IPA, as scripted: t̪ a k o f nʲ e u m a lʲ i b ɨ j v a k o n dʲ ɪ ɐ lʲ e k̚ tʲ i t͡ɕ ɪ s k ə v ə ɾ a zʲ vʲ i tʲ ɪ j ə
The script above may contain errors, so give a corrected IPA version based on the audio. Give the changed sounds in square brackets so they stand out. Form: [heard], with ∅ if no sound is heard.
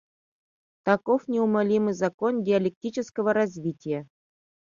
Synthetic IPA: t̪ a k o f nʲ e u m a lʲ i [m] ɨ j [z] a k o n dʲ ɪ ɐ lʲ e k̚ tʲ i t͡ɕ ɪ s k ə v ə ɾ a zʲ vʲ i tʲ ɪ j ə